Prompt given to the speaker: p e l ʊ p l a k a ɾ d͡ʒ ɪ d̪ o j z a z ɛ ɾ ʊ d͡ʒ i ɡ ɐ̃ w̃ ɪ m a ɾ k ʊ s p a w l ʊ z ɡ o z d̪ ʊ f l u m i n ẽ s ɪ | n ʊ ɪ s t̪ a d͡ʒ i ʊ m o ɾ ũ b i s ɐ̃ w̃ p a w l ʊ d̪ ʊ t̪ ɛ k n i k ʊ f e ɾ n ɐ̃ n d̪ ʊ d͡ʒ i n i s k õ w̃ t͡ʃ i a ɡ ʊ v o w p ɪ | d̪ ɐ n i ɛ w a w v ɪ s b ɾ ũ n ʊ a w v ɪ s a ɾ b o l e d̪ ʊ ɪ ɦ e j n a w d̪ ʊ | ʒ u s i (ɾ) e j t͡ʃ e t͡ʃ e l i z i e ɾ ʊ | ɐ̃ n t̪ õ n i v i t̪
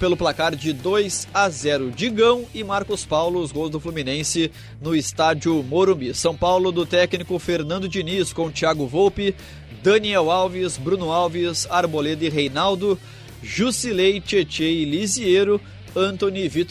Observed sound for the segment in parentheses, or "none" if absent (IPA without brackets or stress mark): l